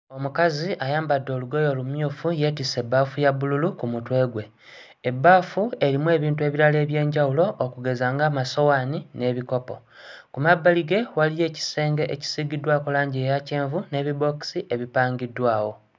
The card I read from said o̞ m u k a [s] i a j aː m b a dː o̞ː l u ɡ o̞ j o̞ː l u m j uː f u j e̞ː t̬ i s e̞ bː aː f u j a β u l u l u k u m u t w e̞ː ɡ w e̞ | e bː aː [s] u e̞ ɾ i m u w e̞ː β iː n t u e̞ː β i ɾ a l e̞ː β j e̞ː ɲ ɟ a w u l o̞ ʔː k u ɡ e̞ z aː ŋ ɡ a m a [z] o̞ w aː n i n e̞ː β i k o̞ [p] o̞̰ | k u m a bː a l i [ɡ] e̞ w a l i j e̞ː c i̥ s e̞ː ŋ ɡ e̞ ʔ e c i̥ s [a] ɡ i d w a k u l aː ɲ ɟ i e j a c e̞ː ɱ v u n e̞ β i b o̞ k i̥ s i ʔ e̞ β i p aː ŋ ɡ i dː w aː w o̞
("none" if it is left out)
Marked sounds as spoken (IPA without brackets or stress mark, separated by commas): z, f, s, p, ɡ, i